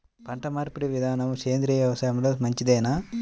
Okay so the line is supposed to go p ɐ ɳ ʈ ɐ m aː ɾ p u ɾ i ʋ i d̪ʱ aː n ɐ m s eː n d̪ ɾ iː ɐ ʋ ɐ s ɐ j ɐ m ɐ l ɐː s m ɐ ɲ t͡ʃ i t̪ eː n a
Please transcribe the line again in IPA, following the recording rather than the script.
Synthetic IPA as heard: p ɐ ɳ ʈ ɐ m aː ɾ p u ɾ i ʋ i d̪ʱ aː n ɐ m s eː n d̪ ɾ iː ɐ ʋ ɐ s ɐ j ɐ m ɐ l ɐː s m ɐ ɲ t͡ʃ i d̪ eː n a